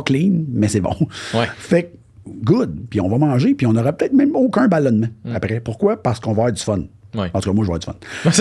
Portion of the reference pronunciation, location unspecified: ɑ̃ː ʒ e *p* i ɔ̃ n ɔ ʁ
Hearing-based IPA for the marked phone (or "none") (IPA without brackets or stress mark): p